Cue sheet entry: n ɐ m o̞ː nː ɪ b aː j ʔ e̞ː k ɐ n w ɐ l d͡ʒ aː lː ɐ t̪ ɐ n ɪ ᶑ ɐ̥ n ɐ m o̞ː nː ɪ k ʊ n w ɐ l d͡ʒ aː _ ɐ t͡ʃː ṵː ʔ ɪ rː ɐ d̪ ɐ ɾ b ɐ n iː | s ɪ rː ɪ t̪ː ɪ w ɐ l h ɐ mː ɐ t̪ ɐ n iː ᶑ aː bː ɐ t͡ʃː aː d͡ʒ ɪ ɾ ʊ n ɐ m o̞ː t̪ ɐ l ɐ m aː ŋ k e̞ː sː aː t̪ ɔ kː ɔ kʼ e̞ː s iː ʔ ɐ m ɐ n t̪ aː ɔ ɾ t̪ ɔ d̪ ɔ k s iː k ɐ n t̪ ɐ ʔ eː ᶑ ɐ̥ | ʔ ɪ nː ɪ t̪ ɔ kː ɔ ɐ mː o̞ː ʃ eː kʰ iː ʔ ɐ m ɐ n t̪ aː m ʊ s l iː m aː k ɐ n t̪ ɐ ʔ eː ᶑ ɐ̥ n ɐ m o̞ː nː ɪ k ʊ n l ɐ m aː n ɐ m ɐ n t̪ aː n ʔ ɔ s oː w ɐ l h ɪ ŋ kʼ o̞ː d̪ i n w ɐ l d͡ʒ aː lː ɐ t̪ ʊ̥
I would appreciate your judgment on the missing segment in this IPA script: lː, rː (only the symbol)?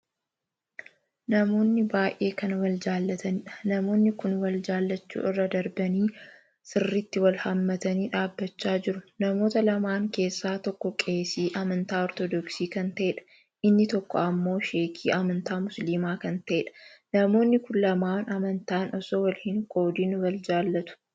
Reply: lː